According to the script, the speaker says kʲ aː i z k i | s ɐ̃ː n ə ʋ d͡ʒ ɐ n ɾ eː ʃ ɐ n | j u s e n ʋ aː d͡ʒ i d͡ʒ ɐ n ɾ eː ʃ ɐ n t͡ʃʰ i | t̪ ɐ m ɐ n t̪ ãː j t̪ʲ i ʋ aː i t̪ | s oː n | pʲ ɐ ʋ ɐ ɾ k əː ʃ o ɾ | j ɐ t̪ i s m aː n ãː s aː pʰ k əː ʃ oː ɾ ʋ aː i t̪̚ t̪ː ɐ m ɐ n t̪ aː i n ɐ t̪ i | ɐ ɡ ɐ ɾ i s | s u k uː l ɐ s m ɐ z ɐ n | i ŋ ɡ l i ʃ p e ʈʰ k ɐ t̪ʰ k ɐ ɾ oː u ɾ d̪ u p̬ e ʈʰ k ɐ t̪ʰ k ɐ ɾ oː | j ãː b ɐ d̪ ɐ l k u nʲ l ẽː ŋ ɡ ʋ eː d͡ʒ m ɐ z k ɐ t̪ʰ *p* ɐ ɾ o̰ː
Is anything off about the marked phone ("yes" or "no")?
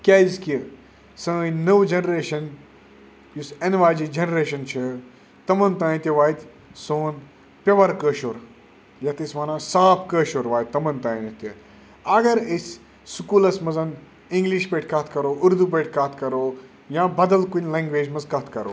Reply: yes